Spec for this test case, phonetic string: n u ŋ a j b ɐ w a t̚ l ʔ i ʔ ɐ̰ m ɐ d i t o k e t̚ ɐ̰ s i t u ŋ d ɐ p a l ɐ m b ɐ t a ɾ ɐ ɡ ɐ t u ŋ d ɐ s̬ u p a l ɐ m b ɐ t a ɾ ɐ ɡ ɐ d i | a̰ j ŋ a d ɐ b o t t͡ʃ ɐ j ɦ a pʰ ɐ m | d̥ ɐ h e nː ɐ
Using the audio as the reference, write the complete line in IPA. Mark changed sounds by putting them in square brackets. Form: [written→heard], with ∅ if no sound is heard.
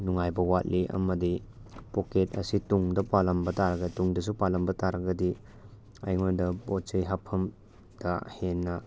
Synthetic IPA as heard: n u ŋ a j b ɐ w a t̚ l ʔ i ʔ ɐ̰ m ɐ d i [t→p] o k e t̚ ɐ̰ s i t u ŋ d ɐ p a l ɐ m b ɐ t a ɾ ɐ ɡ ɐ t u ŋ d ɐ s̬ u p a l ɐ m b ɐ t a ɾ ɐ ɡ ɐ d i | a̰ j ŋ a d ɐ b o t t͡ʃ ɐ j ɦ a pʰ ɐ m | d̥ ɐ h e nː ɐ